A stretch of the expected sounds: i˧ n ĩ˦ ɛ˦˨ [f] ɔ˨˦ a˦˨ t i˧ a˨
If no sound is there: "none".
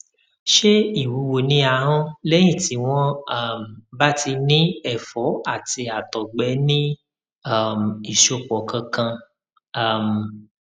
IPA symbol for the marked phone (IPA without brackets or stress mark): f